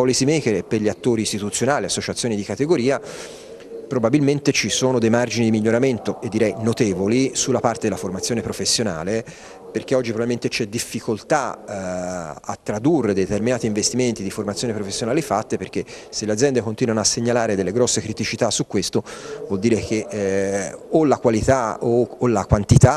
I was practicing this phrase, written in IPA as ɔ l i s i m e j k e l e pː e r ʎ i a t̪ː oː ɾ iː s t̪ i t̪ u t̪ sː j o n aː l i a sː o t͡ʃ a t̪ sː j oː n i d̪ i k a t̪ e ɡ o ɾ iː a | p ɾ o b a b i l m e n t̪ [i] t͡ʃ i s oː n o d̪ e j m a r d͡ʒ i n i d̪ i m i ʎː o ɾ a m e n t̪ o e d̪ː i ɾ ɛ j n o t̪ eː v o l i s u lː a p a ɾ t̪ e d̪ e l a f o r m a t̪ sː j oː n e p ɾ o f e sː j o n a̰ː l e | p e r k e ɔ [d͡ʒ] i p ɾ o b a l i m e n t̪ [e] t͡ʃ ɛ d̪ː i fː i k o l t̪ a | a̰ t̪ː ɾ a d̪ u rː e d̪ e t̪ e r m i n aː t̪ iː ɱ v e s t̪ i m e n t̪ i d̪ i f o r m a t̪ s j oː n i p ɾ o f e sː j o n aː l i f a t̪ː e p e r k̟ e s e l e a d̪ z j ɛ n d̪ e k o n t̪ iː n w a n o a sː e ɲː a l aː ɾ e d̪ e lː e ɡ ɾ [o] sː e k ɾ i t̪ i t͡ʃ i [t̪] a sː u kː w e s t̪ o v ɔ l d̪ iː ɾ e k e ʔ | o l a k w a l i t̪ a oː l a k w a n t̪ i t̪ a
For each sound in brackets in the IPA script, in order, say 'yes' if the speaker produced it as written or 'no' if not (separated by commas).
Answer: no, no, yes, no, yes